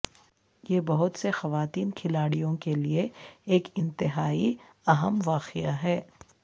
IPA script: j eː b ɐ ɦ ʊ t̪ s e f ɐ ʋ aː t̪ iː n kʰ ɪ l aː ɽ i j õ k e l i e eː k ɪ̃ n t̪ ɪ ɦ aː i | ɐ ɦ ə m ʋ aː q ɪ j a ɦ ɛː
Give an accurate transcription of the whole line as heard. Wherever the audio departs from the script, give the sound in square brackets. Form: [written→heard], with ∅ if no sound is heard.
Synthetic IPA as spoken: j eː b ɐ ɦ ʊ t̪ s e [f→x] ɐ ʋ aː t̪ iː n kʰ ɪ l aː ɽ i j õ k e l i e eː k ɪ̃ n t̪ ɪ ɦ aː i | ɐ ɦ ə m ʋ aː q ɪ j a ɦ ɛː